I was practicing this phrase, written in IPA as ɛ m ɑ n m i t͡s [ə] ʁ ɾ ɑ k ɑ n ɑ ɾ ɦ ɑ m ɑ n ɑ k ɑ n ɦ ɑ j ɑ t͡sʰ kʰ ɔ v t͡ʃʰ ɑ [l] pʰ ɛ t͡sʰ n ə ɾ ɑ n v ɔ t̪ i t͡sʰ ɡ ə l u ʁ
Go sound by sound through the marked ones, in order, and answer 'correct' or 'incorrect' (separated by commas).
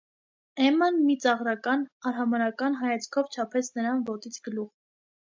incorrect, incorrect